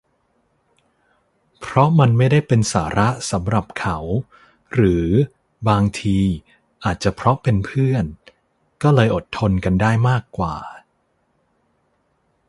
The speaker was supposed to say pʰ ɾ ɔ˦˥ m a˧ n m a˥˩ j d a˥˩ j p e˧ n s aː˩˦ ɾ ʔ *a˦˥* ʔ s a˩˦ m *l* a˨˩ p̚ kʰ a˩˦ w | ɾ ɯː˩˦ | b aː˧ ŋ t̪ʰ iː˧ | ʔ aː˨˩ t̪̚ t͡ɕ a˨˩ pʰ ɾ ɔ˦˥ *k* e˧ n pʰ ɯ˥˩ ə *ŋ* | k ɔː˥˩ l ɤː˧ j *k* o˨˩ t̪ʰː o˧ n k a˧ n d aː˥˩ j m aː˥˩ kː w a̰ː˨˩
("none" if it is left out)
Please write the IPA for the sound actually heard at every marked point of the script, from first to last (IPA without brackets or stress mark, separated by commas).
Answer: a˦˥, ɾ, p, n, ʔ